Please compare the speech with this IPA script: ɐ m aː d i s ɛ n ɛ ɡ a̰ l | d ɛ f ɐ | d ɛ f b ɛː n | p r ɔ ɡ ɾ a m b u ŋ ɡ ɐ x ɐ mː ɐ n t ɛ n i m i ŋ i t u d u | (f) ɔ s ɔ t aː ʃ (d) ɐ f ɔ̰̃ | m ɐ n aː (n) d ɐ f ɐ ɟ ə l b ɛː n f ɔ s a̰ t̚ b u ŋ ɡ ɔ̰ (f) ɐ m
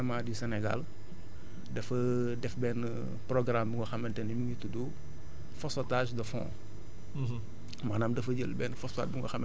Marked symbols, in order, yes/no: yes, yes, no, no

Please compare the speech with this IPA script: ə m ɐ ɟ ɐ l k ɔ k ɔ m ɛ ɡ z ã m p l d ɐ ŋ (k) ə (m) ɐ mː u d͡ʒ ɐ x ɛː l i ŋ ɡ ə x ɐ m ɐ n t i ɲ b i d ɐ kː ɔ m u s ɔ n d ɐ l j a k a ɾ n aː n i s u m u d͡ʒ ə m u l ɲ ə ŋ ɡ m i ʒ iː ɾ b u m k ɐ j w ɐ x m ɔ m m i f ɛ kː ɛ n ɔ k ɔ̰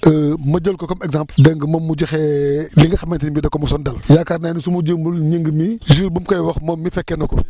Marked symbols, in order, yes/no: no, yes

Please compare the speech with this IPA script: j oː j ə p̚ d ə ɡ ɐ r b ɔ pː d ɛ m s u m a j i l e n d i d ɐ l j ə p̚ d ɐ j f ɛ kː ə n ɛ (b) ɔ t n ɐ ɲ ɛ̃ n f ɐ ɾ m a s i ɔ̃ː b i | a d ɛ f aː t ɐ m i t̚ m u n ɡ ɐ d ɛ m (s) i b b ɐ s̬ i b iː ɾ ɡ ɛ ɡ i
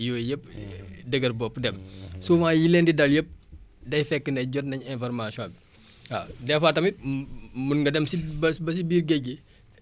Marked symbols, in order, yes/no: no, yes

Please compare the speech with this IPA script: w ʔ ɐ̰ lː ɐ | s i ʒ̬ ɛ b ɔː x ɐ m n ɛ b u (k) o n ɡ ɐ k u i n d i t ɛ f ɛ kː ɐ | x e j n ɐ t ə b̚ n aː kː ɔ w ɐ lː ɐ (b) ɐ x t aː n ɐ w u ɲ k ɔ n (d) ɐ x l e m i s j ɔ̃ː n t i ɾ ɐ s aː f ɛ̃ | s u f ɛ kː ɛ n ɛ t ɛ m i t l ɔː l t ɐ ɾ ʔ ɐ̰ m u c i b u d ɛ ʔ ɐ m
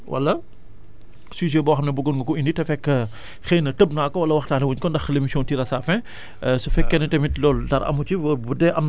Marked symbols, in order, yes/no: no, no, yes

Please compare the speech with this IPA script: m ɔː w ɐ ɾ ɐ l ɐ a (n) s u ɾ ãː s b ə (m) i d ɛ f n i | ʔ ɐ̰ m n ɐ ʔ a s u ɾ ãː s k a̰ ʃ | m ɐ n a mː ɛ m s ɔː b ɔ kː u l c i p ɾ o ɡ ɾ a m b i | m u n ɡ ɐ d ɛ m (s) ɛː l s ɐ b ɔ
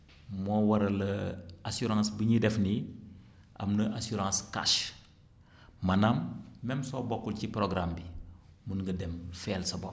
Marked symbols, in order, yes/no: no, no, no

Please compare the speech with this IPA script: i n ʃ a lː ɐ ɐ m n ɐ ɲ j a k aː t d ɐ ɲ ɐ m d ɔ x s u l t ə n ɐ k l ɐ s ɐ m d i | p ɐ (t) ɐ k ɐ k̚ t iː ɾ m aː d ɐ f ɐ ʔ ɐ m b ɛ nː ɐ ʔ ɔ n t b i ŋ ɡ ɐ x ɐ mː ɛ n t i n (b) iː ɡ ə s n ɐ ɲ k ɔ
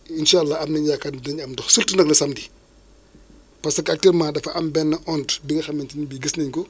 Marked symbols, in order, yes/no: no, yes

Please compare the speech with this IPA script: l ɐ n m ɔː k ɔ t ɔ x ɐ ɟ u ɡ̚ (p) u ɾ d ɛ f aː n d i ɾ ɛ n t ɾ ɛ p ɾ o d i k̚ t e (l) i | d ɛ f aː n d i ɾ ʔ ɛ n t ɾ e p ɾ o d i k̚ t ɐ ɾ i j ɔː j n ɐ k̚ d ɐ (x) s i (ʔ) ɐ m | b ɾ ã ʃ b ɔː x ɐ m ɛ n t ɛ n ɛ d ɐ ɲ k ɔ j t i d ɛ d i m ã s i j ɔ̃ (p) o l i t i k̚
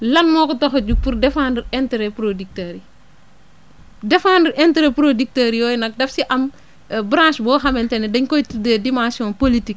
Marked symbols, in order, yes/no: yes, no, no, yes, yes

